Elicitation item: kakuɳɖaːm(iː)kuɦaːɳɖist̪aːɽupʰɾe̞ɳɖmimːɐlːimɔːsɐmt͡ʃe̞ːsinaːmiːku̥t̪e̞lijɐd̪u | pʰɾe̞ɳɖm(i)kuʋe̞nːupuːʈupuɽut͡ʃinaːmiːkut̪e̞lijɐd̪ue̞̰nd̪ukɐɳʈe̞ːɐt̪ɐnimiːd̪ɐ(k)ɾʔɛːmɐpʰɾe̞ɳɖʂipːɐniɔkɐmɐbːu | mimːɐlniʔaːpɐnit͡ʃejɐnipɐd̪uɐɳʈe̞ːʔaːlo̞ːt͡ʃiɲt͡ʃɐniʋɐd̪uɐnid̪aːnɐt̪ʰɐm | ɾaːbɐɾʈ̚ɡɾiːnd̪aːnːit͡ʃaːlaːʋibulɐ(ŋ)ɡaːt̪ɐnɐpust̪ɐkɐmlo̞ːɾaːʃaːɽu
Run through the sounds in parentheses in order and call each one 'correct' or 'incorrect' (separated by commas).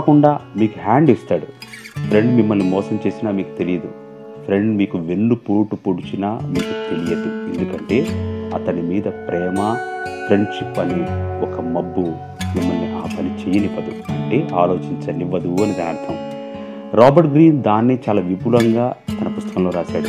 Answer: correct, incorrect, incorrect, correct